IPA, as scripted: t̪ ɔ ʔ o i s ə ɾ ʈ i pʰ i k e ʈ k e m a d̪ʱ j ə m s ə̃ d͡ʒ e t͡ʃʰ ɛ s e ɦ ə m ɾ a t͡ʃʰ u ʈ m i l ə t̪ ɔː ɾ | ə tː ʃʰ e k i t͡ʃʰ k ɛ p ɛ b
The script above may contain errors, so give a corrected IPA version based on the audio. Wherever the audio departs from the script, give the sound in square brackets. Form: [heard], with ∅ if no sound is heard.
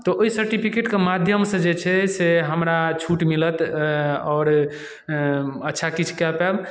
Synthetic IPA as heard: t̪ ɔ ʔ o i s ə ɾ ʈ i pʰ i k e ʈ k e m a d̪ʱ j ə m s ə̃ d͡ʒ e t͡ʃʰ ɛ s e ɦ ə m ɾ a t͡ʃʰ u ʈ m i l ə t̪ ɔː ɾ | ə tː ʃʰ [a] k i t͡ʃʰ k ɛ p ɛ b